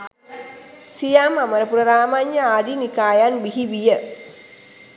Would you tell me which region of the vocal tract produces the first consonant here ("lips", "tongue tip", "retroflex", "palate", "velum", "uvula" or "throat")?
tongue tip